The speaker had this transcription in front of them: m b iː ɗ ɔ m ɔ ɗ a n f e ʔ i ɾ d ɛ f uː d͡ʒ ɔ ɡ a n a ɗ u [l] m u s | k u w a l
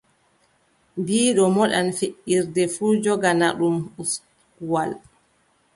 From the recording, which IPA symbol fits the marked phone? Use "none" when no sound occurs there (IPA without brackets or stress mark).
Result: none